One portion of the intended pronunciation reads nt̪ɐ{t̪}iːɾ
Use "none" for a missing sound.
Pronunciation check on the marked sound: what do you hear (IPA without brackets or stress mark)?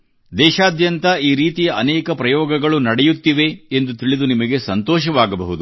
none